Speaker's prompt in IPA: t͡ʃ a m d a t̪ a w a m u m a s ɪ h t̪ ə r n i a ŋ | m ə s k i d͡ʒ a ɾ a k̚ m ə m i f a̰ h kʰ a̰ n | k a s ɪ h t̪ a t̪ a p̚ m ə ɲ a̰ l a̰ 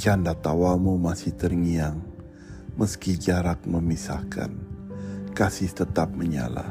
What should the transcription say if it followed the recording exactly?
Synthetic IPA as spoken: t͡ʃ a n d a t̪ a w a m u m a s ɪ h t̪ ə r ŋ i a ŋ | m ə s k i d͡ʒ a ɾ a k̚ m ə m i s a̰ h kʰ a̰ n | k a s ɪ h t̪ ə t̪ a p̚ m ə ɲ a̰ l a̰